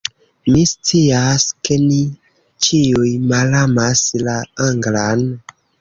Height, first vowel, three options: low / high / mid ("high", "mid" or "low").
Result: high